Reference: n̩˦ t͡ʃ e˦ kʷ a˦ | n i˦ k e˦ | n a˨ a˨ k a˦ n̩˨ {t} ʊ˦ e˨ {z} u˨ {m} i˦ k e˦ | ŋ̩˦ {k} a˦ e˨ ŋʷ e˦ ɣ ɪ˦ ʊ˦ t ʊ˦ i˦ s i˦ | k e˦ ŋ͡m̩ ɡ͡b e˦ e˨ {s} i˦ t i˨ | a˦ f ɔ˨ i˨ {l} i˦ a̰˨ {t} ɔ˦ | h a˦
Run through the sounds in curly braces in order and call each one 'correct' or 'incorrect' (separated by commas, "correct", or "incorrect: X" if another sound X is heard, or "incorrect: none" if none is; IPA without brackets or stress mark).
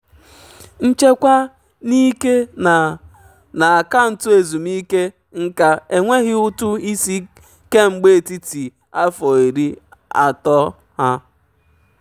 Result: correct, correct, correct, correct, incorrect: t, incorrect: ɾ, correct